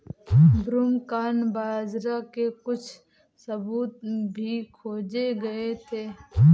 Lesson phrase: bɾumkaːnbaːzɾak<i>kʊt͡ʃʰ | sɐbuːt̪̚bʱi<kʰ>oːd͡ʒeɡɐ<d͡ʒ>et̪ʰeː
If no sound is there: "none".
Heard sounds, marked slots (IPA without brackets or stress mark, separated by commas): e, kʰ, none